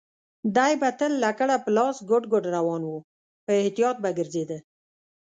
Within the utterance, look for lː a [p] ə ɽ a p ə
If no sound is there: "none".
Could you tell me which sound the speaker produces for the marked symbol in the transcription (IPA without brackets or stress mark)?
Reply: k